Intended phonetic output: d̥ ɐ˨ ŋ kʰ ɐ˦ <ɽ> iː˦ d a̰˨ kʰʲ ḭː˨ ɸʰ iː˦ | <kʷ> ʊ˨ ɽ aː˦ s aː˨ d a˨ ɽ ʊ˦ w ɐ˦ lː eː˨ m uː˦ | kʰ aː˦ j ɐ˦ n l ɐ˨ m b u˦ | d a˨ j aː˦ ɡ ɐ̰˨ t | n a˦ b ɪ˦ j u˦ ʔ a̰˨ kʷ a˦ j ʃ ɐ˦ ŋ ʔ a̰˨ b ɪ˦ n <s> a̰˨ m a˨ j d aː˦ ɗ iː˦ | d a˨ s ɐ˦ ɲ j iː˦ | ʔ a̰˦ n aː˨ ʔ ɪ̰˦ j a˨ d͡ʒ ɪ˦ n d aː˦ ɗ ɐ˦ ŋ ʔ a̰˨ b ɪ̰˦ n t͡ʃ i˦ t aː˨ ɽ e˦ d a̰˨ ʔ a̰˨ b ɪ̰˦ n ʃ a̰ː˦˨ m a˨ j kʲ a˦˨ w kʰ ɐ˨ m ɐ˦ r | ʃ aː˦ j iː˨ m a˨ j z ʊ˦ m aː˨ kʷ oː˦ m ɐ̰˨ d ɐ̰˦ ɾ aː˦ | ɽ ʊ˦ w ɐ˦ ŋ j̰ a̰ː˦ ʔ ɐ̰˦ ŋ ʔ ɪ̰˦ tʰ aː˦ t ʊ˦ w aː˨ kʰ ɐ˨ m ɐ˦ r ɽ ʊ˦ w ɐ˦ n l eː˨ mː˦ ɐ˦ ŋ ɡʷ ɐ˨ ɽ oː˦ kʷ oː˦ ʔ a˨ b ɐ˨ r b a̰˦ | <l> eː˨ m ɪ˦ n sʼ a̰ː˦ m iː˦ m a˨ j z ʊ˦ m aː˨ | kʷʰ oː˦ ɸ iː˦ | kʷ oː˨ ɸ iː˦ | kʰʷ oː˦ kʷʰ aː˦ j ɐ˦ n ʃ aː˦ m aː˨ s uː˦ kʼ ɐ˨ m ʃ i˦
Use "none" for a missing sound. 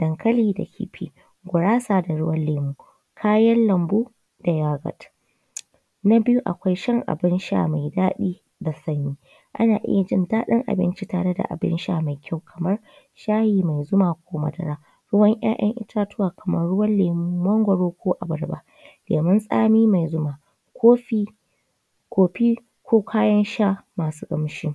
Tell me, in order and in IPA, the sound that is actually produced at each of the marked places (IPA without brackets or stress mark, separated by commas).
l, ɡʷ, ʃ, l